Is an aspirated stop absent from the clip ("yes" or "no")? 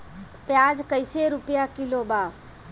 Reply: yes